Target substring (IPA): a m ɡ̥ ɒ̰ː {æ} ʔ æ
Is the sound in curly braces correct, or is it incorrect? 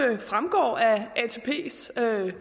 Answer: correct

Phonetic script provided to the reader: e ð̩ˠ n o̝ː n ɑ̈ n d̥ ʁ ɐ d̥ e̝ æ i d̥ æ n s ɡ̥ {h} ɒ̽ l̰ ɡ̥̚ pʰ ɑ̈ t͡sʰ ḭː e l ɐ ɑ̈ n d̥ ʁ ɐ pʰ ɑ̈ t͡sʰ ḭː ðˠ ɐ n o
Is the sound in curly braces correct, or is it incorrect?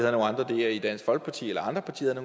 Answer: incorrect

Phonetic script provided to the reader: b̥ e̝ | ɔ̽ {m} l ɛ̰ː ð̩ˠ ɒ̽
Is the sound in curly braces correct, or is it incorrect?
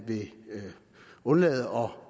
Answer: incorrect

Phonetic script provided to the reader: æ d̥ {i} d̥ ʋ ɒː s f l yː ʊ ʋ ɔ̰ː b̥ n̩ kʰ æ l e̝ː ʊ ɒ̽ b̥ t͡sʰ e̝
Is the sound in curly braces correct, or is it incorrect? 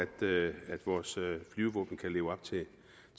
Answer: incorrect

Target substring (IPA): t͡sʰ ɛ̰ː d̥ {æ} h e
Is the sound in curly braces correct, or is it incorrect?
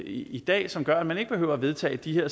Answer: incorrect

